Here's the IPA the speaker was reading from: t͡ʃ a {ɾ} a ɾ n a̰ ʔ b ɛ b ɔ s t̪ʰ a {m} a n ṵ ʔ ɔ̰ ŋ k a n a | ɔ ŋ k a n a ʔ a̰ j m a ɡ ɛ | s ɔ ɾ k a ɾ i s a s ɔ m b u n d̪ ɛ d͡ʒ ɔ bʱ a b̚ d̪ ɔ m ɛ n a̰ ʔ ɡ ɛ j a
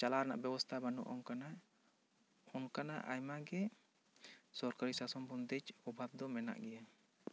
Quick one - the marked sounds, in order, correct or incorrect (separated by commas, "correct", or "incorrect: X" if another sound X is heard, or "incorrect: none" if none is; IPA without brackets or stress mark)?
incorrect: l, incorrect: b